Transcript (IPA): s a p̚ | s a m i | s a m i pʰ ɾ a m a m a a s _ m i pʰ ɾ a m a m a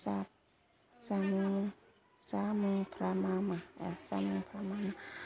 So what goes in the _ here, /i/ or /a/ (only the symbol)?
a